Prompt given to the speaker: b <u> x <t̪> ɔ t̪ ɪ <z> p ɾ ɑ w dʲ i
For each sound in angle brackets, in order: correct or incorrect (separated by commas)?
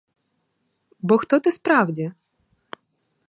incorrect, correct, incorrect